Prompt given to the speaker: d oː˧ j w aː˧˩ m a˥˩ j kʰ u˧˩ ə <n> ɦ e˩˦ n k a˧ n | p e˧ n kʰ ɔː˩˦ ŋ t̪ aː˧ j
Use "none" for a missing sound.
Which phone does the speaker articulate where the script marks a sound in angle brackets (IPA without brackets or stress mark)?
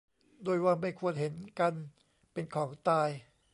n